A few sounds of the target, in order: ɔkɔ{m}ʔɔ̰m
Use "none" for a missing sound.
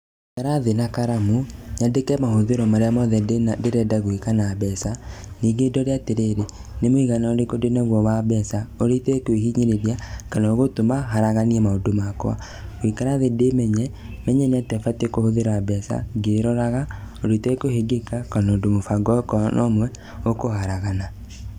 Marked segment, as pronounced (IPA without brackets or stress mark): n